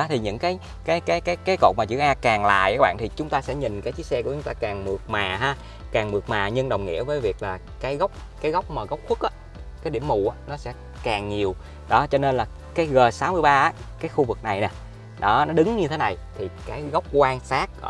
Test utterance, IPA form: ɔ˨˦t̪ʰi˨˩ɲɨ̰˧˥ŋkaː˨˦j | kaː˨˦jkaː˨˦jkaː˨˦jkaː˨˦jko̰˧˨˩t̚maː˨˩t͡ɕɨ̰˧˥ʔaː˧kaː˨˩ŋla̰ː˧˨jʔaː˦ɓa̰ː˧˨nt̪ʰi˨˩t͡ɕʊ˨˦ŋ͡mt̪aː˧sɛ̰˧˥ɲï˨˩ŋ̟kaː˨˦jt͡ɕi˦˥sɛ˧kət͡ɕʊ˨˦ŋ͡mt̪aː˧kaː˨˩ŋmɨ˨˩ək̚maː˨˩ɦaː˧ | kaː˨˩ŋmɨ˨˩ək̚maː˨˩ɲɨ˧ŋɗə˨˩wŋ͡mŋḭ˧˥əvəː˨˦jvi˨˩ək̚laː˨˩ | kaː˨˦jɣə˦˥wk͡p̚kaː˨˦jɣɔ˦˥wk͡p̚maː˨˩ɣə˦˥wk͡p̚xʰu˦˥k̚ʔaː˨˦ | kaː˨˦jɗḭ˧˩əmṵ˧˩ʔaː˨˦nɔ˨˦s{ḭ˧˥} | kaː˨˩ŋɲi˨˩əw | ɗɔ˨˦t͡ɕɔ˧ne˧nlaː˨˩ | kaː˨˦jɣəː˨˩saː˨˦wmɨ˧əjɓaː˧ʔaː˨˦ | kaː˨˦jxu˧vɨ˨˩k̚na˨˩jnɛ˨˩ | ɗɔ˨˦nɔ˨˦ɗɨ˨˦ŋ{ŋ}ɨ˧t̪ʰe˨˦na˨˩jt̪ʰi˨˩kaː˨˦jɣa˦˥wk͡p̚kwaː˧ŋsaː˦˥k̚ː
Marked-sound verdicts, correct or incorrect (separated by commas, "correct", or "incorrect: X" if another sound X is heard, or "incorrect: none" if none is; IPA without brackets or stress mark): incorrect: ɛ̰˧˥, incorrect: ɲ